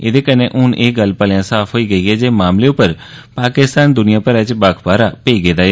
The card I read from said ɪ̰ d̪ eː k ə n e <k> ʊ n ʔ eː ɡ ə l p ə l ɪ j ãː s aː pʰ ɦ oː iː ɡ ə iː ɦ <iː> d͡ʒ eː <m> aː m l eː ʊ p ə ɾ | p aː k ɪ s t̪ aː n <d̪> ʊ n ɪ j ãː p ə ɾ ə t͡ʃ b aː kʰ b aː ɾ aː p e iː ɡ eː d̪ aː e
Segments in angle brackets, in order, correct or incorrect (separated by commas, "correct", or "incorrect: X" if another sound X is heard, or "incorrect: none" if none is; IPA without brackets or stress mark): incorrect: ʔ, incorrect: ɛː, correct, correct